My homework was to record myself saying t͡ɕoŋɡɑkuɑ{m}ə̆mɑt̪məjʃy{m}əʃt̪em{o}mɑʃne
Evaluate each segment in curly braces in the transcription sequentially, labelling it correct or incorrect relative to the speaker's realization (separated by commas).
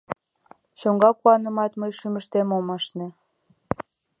incorrect, correct, correct